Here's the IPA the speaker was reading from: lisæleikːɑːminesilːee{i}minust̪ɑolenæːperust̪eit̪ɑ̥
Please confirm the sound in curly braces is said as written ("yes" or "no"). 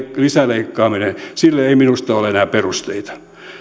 yes